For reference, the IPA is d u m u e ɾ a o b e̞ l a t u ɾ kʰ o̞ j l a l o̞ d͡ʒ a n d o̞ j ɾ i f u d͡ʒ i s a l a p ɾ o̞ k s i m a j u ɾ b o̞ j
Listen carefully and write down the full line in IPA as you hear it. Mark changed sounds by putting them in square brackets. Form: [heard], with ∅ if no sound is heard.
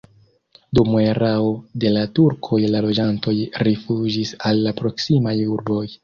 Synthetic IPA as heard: d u m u e ɾ a o [d] e̞ l a t u ɾ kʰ o̞ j l a l o̞ d͡ʒ a n [t] o̞ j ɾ i f u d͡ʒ i s a [lː] a p ɾ o̞ k s i m a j u ɾ b o̞ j